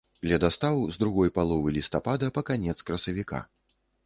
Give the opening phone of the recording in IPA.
lʲ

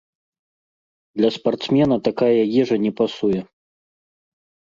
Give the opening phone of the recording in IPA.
d̪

